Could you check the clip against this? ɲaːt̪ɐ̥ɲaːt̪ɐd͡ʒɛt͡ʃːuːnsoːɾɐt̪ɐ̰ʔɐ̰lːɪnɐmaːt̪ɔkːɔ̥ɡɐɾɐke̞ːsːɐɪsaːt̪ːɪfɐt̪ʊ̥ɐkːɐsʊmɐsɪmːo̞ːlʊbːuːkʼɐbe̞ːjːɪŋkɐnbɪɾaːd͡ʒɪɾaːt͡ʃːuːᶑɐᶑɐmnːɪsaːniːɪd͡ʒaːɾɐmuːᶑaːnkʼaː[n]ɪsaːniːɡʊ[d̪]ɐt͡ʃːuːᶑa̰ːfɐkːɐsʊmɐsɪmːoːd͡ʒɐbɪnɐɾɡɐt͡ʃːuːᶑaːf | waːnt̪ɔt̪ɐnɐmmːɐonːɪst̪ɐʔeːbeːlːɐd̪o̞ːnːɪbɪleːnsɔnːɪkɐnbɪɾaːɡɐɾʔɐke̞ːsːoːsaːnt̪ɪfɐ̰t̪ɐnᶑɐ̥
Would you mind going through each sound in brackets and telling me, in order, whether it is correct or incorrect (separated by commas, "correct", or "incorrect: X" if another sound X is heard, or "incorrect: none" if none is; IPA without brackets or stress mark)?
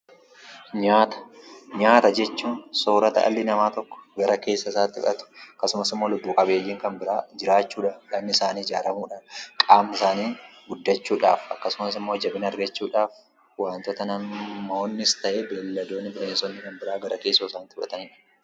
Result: incorrect: m, incorrect: d̪ː